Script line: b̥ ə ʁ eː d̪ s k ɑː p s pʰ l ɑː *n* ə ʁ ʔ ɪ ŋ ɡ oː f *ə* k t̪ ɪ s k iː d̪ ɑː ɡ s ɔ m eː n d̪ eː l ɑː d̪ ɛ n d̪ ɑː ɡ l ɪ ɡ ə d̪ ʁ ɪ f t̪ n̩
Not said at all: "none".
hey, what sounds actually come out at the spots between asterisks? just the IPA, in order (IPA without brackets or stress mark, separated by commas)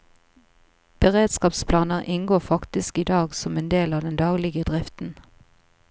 n, ɑ